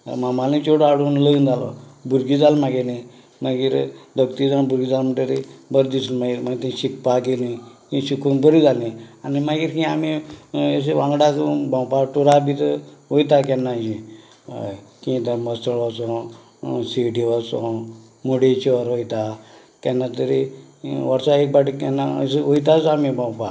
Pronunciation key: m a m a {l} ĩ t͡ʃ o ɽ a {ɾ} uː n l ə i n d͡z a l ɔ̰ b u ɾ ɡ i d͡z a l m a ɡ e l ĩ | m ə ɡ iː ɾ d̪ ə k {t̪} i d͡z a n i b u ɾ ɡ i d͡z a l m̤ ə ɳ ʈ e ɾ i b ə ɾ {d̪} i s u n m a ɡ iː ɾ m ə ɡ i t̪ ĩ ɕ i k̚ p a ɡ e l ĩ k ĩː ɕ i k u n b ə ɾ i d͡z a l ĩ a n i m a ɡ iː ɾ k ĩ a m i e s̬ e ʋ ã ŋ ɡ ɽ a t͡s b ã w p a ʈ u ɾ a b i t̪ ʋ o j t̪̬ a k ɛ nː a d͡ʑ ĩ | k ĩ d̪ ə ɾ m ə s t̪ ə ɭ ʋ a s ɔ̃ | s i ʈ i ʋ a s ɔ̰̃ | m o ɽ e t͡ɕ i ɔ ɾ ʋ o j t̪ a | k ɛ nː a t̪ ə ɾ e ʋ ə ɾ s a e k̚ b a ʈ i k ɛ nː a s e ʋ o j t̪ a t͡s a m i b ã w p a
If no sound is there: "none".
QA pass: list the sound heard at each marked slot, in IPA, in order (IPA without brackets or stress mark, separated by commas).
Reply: l, ɽ, t̪, d̪